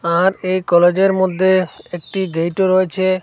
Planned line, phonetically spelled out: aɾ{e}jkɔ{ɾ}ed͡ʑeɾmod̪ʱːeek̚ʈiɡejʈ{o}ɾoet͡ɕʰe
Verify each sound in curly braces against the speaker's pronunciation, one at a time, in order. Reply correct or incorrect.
correct, incorrect, correct

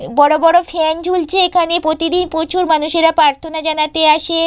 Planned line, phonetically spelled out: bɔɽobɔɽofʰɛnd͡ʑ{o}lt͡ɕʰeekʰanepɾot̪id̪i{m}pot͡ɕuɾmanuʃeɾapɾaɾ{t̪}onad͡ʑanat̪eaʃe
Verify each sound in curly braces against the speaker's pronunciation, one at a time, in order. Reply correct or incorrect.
incorrect, incorrect, incorrect

